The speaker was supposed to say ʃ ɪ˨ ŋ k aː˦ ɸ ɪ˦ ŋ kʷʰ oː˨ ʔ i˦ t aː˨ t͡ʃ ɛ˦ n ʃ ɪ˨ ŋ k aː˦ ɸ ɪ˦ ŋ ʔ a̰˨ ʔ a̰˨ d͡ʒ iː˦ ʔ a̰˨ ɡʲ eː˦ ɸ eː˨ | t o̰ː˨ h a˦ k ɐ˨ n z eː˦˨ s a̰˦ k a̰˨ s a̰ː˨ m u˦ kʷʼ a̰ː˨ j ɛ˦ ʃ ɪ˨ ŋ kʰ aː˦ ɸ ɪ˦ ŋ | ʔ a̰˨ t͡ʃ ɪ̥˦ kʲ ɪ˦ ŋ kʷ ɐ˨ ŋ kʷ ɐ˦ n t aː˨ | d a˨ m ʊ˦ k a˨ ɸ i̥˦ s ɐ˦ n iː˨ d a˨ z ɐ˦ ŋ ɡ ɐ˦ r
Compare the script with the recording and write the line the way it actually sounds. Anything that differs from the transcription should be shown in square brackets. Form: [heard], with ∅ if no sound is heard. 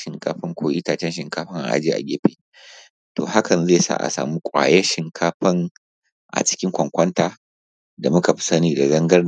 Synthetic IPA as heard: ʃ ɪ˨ ŋ k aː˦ ɸ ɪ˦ ŋ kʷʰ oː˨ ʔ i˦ t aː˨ t͡ʃ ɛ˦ n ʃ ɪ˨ ŋ k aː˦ ɸ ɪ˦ ŋ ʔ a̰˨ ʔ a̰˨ d͡ʒ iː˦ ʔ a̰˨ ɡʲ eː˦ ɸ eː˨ | t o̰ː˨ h a˦ k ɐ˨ n z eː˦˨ s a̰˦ [ʔ] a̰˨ s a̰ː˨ m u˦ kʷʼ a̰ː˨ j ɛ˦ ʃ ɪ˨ ŋ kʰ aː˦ ɸ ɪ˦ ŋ | ʔ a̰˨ t͡ʃ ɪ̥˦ kʲ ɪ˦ ŋ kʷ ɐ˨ ŋ kʷ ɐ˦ n t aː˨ | d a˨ m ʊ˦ k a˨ ɸ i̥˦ s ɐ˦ n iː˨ d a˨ z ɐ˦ ŋ ɡ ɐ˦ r